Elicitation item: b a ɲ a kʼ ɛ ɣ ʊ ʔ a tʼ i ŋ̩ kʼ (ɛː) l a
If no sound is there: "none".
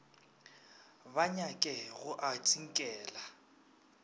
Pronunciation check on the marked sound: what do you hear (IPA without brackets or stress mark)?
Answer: ɛː